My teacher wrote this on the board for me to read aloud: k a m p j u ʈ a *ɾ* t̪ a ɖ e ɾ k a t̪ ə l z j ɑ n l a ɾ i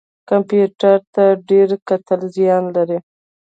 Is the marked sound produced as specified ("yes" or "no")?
yes